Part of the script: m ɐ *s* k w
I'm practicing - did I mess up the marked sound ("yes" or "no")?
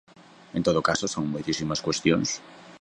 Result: no